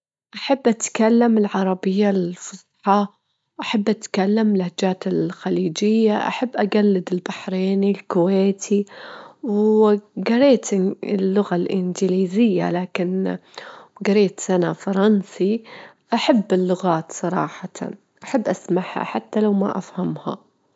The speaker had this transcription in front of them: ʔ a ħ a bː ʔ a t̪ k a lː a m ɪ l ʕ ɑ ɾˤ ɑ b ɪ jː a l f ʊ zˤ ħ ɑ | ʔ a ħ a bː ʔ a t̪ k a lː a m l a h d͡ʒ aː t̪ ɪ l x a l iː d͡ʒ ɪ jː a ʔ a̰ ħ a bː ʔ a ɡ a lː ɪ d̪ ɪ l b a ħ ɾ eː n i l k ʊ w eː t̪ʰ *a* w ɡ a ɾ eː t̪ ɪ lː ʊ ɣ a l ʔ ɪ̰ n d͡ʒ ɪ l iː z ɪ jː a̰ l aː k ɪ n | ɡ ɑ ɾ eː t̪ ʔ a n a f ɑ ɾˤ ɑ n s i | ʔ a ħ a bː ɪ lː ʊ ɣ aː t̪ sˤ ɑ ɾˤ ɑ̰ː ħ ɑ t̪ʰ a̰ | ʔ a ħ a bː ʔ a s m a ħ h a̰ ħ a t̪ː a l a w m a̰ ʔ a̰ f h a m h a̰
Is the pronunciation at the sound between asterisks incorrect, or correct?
incorrect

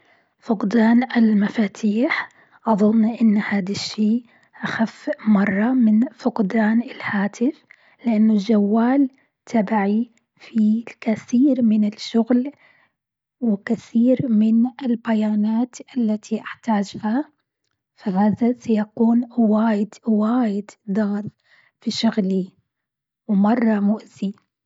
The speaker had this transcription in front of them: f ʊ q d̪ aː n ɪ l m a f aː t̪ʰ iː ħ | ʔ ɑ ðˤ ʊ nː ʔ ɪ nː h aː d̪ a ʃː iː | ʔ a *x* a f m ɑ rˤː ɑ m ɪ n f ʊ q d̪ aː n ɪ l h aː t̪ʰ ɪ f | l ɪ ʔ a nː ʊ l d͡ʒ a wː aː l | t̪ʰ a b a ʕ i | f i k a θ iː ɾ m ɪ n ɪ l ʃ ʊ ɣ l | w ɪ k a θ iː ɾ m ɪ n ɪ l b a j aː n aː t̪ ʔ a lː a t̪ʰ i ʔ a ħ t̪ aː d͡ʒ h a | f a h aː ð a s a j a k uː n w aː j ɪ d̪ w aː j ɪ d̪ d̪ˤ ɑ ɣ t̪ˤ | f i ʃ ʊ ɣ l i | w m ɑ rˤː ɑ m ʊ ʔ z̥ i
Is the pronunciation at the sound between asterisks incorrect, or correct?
correct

